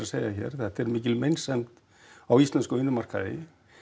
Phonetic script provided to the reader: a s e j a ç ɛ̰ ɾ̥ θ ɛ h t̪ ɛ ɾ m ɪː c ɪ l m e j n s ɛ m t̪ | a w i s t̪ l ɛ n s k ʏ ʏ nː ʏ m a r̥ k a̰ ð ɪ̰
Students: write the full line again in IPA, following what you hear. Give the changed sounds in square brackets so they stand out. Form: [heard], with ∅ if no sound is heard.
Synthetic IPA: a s e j a ç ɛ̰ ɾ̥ θ ɛ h t̪ ɛ ɾ m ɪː c ɪ l m e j n s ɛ m t̪ | a w i s t̪ l ɛ n s k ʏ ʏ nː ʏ m a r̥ k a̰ ð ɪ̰